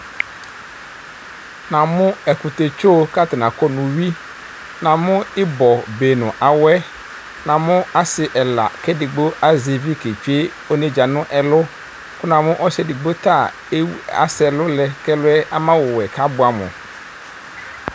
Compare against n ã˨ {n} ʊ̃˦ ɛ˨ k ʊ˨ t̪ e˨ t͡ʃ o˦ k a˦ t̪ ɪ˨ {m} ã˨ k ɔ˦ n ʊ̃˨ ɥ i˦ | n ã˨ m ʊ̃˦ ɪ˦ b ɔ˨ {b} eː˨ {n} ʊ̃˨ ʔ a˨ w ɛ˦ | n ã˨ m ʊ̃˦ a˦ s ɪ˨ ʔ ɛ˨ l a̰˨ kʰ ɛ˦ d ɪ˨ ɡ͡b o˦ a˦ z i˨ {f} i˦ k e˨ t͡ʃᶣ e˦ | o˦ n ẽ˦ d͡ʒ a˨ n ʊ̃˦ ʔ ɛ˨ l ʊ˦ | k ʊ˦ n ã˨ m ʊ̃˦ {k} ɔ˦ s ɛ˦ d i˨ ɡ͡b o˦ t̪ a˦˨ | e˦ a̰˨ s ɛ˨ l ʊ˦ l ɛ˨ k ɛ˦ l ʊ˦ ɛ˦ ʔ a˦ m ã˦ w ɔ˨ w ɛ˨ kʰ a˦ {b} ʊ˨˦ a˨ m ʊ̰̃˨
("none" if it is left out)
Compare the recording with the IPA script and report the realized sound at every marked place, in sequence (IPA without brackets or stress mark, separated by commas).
m, n, b, n, v, ʔ, b